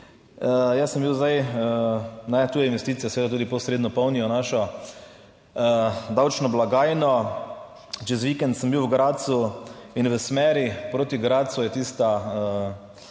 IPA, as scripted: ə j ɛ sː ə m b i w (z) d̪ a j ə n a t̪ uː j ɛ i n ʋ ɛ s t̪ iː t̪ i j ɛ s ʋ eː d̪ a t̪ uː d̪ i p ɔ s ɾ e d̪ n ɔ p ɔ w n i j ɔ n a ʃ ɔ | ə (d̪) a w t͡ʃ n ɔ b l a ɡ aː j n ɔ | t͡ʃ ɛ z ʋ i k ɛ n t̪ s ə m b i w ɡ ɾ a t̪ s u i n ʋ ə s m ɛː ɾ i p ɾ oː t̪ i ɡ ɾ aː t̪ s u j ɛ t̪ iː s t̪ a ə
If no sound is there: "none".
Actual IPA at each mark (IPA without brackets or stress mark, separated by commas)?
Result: z, d̪